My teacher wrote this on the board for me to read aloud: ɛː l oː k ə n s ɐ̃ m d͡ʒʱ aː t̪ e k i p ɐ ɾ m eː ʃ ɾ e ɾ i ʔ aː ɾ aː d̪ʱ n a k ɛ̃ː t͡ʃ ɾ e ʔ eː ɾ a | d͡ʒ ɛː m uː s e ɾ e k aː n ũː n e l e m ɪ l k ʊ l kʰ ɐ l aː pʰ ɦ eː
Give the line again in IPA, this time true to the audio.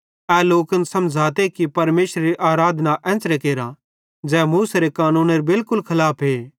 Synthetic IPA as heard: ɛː l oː k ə n s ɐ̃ m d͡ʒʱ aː t̪ e k i p ɐ ɾ m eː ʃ ɾ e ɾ i ʔ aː ɾ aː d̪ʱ n a ʔ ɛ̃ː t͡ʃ ɾ e k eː ɾ a | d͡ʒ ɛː m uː s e ɾ e k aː n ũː n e ɾ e b ɪ l k ʊ l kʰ ɐ l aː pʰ ɦ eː